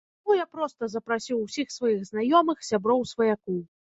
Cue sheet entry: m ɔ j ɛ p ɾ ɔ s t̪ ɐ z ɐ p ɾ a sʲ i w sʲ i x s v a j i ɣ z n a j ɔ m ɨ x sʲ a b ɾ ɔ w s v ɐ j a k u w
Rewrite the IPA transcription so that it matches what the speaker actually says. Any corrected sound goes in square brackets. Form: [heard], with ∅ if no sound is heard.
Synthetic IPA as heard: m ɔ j [a] p ɾ ɔ s t̪ ɐ z ɐ p ɾ a sʲ i w sʲ i x s v a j i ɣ z n a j ɔ m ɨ x sʲ a b ɾ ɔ w s v ɐ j a k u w